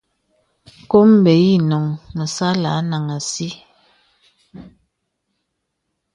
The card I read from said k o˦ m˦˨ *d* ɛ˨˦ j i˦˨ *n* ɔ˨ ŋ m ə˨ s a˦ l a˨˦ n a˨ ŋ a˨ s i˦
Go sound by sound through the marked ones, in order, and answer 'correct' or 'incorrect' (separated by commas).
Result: incorrect, correct